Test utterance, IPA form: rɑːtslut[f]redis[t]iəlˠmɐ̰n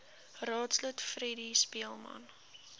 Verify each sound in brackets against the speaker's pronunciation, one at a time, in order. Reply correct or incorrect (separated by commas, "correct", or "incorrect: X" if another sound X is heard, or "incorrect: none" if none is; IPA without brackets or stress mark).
correct, incorrect: p